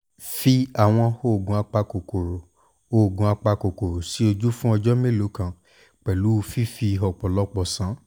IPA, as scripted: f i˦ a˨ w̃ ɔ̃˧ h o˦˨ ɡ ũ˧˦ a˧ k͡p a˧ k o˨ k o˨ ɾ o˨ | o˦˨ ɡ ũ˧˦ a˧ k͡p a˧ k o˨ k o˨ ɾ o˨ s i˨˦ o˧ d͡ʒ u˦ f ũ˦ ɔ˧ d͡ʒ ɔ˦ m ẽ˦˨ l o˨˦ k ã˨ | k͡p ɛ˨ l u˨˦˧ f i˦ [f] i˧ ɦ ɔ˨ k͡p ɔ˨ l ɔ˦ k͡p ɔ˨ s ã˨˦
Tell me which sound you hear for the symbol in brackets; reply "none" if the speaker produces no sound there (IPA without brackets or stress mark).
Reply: f